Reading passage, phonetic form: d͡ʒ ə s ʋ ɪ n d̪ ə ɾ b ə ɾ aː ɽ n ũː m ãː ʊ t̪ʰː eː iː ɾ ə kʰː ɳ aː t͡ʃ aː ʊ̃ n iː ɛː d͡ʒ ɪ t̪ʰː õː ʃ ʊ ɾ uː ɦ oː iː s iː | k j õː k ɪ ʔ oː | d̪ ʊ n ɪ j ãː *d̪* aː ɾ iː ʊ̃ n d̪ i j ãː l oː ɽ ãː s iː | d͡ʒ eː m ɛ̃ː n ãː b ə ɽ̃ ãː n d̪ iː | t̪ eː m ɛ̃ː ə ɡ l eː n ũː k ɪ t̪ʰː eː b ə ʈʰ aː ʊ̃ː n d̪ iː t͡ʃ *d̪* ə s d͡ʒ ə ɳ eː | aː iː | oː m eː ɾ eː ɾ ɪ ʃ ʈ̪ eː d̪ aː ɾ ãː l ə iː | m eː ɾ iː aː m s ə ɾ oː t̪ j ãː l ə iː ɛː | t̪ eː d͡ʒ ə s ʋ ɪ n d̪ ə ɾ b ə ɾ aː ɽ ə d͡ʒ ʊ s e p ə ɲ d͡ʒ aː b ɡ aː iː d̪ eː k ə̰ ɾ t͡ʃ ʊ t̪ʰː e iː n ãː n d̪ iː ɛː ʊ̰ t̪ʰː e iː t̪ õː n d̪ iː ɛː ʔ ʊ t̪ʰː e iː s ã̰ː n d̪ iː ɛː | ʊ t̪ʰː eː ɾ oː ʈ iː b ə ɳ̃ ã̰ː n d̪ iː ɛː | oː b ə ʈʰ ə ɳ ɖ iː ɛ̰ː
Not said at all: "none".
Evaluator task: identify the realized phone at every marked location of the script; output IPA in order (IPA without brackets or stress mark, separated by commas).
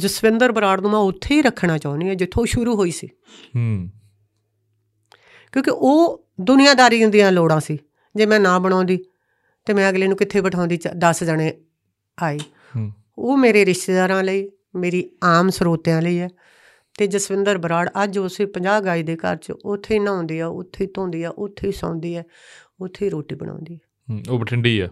d̪, d̪